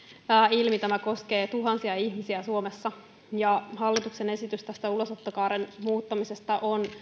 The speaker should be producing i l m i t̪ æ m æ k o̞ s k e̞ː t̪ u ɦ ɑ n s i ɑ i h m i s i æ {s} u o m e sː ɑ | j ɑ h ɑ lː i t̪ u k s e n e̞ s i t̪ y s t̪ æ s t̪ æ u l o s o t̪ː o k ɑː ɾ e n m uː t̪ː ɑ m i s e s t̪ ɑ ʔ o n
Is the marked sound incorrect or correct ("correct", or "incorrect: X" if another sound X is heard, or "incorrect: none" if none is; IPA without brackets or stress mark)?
correct